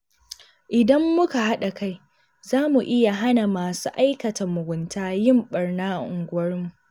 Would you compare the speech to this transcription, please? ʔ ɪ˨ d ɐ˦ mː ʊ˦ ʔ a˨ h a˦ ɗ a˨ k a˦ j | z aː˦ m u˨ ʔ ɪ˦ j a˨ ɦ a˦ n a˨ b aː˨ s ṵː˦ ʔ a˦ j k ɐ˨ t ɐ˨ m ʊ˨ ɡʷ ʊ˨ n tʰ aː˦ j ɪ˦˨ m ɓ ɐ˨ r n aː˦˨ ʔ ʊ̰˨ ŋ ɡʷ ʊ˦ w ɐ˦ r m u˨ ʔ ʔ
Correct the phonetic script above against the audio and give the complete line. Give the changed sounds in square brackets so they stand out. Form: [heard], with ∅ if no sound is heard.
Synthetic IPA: ʔ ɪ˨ d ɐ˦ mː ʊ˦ [k] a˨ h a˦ ɗ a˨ k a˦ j | z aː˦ m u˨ ʔ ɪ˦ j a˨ ɦ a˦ n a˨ [m] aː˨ s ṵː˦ ʔ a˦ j k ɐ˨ t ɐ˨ m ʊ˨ ɡʷ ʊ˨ n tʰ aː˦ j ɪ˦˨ m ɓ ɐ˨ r n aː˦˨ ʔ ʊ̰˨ ŋ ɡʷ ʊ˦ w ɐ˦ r m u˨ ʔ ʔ